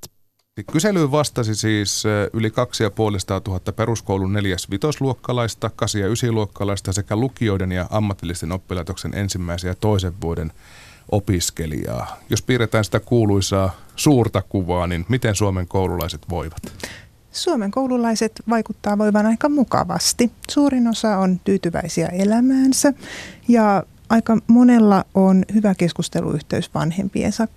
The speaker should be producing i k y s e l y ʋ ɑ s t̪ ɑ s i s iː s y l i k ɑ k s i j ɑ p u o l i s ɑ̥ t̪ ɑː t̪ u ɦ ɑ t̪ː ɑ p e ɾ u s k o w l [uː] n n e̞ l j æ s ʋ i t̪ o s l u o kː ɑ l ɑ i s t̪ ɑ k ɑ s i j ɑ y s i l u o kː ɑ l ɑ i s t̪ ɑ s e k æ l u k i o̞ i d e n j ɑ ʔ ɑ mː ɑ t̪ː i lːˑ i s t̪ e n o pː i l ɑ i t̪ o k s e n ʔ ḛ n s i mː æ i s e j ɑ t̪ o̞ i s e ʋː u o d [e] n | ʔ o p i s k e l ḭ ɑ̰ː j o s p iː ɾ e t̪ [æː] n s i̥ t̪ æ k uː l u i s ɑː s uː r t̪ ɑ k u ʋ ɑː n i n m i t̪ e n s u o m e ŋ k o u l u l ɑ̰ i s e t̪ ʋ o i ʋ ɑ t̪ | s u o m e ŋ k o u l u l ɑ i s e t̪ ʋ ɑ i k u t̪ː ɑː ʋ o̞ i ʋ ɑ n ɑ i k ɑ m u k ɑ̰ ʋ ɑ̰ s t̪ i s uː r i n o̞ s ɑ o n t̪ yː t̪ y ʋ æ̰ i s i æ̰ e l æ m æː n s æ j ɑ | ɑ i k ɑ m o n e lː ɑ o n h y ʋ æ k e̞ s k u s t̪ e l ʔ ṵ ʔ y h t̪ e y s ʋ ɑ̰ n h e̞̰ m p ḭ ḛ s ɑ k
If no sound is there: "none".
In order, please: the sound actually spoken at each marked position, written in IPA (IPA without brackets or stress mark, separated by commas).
u, e, æː